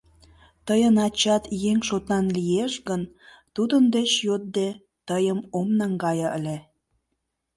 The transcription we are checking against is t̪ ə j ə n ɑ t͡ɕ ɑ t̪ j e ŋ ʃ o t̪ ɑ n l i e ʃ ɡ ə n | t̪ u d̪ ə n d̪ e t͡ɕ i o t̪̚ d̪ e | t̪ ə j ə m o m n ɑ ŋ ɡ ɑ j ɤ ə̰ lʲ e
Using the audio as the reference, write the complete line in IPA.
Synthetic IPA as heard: t̪ ə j ə n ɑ t͡ɕ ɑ t̪ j e ŋ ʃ o t̪ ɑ n l i e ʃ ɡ ə n | t̪ u d̪ ə n d̪ e t͡ɕ j o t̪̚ d̪ e | t̪ ə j ə m o m n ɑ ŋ ɡ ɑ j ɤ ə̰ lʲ e